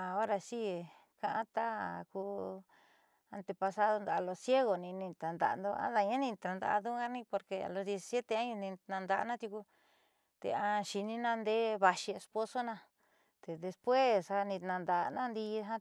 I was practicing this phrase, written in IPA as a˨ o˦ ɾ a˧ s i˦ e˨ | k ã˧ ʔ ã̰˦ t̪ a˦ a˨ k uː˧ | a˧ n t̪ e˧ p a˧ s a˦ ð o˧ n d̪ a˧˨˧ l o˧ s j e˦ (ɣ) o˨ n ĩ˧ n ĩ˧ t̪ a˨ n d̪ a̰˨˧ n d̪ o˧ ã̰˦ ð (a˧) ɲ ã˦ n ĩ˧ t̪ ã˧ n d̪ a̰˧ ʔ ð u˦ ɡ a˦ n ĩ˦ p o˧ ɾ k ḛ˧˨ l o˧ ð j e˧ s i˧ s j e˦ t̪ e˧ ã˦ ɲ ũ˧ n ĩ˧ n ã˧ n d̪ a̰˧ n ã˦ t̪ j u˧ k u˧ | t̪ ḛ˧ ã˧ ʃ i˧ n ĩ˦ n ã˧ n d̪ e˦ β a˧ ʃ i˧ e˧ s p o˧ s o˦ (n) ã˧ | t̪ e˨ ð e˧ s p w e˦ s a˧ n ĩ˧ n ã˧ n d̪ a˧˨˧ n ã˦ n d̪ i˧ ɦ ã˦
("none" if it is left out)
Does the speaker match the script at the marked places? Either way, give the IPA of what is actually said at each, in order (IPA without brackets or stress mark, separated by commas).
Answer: ɣ, a˧, n